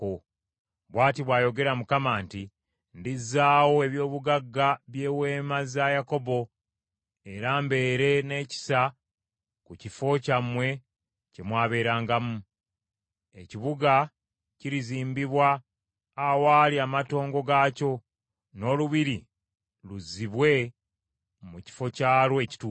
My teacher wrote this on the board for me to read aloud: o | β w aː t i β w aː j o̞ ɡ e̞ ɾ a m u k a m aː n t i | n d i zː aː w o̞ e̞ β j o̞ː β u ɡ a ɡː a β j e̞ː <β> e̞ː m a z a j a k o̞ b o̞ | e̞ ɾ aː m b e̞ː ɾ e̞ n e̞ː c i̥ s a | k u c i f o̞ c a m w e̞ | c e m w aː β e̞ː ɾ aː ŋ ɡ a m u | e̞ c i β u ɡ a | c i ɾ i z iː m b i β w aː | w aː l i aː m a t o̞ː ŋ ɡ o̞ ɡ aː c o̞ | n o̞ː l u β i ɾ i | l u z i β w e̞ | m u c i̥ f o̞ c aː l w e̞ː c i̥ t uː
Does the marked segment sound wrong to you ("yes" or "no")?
yes